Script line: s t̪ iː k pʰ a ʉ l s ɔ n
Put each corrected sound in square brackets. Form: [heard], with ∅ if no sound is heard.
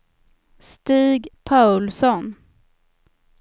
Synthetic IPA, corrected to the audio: s t̪ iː [ɡ] pʰ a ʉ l s ɔ n